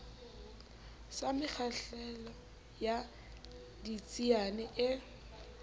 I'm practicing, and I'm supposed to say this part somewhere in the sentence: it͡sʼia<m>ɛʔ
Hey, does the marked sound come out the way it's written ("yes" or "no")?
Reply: no